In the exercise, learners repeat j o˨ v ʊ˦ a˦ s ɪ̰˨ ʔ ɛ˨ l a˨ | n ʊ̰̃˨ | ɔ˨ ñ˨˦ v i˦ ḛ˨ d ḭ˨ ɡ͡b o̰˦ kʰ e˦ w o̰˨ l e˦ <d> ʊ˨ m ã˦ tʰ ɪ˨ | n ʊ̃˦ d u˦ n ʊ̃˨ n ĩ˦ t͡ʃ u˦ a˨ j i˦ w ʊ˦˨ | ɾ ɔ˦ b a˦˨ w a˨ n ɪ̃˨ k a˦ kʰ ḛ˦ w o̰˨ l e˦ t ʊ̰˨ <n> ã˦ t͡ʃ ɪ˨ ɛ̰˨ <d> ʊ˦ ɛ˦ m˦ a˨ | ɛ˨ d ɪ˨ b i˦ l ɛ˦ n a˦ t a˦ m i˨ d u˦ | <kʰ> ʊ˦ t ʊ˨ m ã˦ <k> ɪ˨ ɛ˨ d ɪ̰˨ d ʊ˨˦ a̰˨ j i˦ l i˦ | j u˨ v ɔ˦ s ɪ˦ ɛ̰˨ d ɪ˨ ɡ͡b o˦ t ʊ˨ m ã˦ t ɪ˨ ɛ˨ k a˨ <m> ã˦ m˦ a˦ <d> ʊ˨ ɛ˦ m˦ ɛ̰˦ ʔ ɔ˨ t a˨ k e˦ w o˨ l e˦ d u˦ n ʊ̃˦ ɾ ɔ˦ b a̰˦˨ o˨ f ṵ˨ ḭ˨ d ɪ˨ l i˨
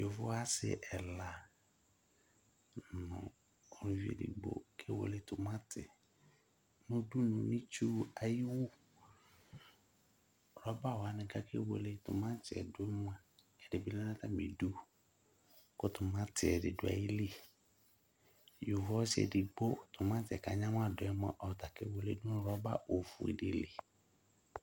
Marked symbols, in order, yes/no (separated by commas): no, no, yes, no, no, no, yes